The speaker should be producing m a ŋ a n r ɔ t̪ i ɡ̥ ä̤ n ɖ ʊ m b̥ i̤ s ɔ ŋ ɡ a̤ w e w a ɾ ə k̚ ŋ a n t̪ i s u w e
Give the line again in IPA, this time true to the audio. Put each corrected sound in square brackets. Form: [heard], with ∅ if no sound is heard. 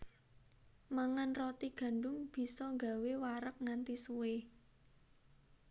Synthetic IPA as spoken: m a ŋ a n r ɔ t̪ i ɡ̥ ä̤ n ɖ ʊ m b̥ i̤ s ɔ ŋ ɡ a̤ w e w a ɾ ə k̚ ŋ a n t̪ i s u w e